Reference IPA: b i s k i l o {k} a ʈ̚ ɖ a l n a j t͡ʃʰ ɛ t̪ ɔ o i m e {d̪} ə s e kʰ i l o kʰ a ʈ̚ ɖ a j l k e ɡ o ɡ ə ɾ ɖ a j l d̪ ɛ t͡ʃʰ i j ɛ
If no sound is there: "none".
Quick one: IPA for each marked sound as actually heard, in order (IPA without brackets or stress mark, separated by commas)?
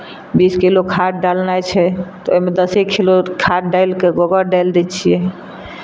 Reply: kʰ, d̪